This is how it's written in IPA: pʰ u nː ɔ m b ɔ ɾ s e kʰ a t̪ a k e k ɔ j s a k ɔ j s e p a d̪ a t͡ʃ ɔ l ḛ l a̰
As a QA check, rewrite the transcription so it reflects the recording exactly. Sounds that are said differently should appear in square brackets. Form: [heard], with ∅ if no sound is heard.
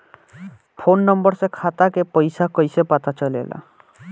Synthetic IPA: pʰ [o] nː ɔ m b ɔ ɾ s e kʰ a t̪ a k e [p] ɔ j s a k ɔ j s e p a [t̪] a t͡ʃ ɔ l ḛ l a̰